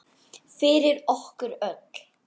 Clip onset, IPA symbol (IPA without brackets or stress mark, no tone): f